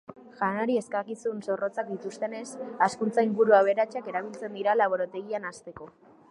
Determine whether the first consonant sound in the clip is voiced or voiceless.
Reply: voiced